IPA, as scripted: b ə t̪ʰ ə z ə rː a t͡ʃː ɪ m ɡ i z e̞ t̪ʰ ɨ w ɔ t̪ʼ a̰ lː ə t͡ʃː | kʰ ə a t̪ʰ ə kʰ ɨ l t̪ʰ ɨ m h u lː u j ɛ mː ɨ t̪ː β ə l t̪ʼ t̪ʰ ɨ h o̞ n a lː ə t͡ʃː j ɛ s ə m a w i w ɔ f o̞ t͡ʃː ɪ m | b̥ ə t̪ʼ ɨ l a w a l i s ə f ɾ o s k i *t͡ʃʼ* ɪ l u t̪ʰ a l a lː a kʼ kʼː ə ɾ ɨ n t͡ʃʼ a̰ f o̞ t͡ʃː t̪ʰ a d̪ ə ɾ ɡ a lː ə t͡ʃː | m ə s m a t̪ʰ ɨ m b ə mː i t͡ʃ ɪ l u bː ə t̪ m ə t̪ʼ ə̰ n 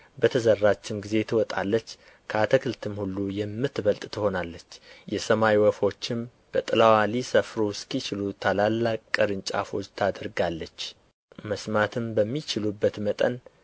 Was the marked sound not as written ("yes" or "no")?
yes